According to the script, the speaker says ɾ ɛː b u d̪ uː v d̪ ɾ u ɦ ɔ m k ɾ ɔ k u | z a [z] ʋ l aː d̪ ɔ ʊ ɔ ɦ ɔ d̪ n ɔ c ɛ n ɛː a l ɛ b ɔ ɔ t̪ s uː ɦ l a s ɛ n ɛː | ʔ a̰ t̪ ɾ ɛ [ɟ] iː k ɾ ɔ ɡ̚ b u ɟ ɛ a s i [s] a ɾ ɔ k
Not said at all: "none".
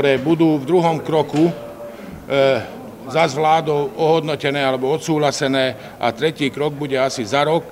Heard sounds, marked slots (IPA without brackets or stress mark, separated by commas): z, c, z